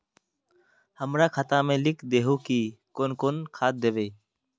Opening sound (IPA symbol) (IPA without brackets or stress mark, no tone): h